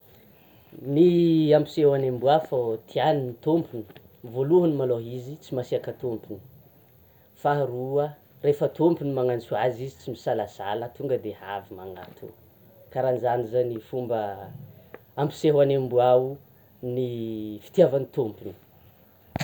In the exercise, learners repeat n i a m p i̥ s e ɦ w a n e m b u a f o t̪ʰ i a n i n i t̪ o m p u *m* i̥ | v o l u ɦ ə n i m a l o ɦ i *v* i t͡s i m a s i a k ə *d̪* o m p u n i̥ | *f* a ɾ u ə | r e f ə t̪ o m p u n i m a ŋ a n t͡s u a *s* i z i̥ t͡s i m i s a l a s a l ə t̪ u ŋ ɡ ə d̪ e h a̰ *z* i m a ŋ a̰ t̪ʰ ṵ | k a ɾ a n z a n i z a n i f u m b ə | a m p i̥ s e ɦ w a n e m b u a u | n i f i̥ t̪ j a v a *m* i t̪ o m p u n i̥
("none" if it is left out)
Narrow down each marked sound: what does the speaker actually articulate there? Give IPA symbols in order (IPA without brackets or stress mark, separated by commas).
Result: n, z, t̪, f, z, v, n